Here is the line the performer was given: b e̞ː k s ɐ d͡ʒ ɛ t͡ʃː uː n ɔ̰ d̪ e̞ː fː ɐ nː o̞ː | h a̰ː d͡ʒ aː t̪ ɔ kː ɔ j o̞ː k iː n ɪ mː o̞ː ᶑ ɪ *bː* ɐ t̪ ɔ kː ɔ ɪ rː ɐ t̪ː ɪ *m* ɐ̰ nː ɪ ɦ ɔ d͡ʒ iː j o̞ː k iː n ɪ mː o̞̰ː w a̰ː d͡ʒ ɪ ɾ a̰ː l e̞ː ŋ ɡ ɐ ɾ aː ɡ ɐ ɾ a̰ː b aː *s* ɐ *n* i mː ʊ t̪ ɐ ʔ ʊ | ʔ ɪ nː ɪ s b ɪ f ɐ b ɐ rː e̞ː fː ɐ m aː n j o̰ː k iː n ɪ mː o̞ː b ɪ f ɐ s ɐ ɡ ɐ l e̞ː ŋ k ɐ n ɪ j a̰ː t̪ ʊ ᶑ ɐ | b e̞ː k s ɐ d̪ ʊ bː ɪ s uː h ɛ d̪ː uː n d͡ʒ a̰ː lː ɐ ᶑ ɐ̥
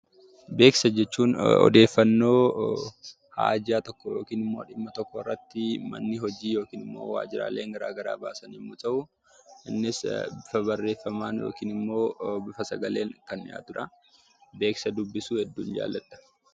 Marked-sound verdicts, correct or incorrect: incorrect: mː, correct, correct, correct

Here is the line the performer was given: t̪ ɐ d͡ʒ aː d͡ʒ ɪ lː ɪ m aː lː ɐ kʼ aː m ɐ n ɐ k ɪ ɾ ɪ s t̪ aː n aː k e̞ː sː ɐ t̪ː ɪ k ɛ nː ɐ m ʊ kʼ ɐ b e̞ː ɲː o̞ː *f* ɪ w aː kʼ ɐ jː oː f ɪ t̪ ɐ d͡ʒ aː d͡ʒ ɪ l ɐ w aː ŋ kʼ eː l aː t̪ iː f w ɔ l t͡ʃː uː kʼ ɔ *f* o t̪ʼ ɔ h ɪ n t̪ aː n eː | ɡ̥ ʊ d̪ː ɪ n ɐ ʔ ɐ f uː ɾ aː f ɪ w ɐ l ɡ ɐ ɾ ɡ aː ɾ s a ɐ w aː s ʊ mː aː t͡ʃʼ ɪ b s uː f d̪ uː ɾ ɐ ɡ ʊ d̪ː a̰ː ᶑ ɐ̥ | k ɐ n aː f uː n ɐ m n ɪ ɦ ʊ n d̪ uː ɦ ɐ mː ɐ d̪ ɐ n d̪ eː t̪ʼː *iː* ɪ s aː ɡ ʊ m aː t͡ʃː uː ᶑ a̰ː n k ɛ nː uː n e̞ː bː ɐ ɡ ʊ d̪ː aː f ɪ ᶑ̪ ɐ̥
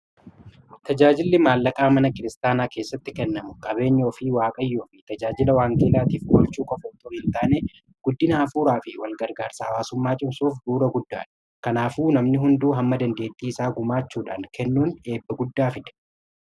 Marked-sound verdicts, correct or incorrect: correct, correct, correct

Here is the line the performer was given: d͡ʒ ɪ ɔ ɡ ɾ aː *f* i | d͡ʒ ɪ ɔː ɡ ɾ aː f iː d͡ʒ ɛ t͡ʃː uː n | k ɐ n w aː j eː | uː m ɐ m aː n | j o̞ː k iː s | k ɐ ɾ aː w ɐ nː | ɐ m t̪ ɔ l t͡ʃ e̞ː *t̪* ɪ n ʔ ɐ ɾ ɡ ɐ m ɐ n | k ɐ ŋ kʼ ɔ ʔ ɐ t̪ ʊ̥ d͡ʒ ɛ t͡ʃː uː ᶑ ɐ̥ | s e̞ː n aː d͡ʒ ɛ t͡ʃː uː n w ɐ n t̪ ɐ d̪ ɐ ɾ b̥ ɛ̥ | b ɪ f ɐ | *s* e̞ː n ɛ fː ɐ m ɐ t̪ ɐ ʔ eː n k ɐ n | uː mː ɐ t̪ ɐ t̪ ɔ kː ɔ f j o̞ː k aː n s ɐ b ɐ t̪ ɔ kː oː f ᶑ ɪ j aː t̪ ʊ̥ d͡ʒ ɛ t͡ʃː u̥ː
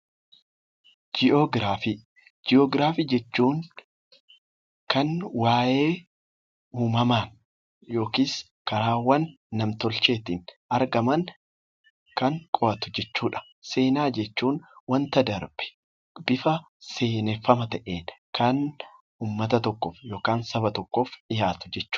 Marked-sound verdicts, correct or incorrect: correct, correct, correct

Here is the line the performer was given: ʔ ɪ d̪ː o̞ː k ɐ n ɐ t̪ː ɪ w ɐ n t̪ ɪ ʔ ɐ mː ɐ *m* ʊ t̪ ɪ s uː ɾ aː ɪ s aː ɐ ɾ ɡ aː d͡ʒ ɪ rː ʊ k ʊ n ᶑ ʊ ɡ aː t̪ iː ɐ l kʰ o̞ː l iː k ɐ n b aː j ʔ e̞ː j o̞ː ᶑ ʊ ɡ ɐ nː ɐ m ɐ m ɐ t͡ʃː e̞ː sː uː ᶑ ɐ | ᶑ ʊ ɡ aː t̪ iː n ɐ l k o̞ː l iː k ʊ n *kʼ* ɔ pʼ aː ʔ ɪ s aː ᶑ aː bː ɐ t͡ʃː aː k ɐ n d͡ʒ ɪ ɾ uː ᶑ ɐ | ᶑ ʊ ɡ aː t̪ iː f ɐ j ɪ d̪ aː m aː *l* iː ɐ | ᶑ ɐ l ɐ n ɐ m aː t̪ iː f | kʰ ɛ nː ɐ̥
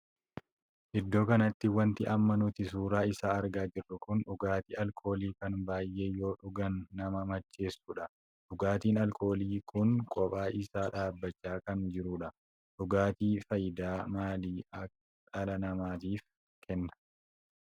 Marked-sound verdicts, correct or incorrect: incorrect: n, correct, correct

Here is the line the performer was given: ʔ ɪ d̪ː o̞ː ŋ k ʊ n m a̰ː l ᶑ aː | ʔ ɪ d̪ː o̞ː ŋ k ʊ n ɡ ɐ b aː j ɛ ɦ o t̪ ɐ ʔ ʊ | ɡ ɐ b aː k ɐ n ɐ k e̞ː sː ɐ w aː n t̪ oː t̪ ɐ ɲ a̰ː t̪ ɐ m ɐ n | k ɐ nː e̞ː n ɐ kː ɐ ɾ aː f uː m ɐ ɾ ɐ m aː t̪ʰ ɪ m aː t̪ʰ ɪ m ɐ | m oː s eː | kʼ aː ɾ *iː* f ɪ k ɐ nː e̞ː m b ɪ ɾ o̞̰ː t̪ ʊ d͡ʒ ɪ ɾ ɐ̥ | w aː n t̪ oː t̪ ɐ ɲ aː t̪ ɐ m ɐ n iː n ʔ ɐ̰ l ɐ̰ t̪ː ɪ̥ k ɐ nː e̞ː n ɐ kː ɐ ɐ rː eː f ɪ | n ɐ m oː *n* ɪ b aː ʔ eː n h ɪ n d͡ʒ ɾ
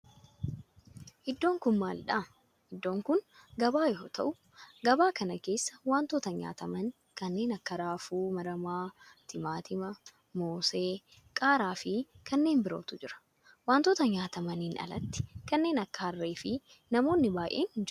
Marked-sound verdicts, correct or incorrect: incorrect: aː, incorrect: nː

